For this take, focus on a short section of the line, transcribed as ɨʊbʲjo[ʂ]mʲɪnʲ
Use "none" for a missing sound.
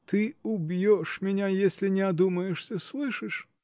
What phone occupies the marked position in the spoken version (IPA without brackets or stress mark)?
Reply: ʂ